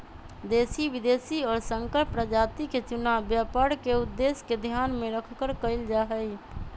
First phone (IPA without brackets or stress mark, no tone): d̪